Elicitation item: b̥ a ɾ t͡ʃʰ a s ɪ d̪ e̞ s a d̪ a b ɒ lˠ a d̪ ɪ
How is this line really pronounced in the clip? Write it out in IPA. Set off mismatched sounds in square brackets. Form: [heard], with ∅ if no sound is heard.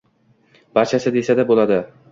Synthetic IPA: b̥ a ɾ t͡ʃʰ a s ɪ d̪ e̞ s a d̪ a b [o] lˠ a d̪ ɪ